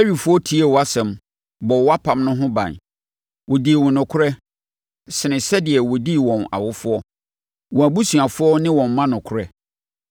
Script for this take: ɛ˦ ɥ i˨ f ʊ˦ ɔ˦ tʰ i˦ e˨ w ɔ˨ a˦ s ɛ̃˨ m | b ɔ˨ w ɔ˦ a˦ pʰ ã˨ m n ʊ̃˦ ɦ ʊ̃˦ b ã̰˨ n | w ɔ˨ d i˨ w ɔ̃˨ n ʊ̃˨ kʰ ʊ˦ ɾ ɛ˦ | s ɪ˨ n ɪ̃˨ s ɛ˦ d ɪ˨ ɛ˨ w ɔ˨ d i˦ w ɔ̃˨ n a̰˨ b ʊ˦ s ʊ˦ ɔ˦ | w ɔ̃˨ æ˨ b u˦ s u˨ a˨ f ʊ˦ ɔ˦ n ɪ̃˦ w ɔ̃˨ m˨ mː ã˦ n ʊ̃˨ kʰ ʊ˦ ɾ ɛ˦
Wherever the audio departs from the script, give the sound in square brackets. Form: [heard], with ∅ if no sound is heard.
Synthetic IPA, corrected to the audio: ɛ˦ ɥ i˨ f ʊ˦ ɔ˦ tʰ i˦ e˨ w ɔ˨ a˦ s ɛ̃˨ m | b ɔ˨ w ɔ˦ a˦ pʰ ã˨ m n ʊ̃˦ ɦ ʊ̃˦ b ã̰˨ n | w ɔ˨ d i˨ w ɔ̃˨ n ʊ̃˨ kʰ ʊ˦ ɾ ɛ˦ | s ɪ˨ n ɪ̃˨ s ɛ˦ d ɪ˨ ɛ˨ w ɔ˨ d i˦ w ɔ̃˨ n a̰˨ [w] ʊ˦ [f] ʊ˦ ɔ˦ | w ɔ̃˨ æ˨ b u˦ s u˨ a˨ f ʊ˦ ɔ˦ n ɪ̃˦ w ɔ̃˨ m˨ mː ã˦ n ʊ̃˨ kʰ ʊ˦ ɾ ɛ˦